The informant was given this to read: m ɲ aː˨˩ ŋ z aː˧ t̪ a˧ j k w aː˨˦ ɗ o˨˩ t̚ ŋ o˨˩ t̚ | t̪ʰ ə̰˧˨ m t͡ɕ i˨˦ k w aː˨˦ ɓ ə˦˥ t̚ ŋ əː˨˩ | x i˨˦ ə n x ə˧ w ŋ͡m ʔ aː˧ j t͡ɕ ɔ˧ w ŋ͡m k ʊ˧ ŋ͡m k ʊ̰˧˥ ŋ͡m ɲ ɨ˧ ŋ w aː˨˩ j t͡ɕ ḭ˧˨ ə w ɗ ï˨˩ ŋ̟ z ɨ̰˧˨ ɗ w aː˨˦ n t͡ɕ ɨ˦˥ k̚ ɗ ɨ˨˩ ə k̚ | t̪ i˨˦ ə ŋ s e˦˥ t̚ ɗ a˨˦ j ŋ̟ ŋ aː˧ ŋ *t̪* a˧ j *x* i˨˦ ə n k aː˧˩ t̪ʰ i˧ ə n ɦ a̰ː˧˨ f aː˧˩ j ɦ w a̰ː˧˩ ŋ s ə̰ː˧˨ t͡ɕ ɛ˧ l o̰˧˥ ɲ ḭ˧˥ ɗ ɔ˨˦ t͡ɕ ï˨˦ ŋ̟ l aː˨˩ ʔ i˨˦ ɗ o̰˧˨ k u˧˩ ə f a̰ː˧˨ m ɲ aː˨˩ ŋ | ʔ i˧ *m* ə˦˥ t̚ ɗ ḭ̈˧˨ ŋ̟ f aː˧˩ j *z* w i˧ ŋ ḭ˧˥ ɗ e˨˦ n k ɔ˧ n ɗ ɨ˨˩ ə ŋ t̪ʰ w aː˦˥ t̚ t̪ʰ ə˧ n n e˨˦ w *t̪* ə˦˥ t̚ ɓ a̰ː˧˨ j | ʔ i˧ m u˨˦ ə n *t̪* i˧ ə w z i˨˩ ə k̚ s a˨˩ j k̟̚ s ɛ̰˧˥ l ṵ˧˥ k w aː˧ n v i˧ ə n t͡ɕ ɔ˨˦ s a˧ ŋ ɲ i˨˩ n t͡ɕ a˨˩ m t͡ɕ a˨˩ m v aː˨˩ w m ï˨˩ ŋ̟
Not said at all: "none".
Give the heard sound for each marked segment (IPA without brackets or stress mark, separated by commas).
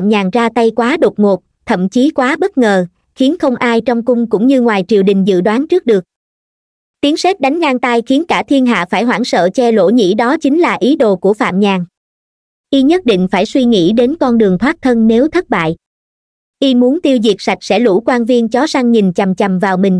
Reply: t̪, x, ɲ, s, t̪ʰ, t̪